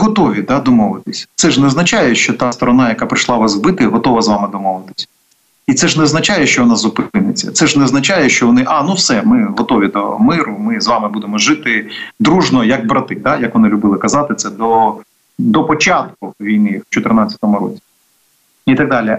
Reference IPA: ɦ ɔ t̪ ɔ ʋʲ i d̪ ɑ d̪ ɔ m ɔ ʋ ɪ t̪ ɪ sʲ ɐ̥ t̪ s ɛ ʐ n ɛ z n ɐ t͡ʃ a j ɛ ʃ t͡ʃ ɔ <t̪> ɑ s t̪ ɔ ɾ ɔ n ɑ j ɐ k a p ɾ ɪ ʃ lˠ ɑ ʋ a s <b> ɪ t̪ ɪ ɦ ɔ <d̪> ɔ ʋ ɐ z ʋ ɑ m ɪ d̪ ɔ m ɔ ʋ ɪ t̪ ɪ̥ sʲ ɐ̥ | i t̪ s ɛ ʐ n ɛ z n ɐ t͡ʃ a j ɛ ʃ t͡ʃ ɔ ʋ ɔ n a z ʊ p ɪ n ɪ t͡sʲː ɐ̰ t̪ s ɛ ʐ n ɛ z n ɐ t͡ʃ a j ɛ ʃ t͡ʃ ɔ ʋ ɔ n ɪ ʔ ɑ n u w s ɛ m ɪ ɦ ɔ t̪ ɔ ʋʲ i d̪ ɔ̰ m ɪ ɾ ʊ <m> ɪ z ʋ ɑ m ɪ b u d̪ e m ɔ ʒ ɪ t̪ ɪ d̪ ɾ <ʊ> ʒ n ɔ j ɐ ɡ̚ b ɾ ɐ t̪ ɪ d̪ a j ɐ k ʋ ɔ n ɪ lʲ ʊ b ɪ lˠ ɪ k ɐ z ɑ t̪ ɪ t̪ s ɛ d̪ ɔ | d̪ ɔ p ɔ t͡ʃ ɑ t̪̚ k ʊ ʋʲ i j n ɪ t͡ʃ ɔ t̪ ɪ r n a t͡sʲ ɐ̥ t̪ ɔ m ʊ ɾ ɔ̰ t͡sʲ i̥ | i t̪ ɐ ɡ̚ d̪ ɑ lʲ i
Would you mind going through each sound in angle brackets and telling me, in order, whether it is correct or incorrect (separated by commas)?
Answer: correct, correct, incorrect, correct, incorrect